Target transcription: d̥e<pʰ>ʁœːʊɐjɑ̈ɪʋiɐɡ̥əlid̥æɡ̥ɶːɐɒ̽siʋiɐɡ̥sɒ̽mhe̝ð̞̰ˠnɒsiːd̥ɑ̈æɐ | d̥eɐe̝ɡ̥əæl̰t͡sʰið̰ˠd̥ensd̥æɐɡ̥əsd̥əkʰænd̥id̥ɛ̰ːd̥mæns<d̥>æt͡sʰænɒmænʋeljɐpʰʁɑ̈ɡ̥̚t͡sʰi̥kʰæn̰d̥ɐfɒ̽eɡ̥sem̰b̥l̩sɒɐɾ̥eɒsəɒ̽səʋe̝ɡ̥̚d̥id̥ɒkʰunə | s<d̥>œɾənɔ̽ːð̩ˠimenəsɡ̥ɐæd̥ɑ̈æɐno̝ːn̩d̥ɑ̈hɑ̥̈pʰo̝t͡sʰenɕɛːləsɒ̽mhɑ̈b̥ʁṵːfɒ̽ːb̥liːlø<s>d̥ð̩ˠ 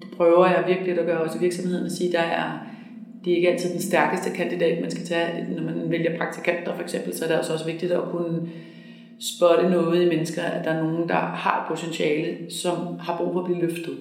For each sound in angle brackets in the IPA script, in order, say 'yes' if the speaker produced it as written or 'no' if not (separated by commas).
yes, no, no, no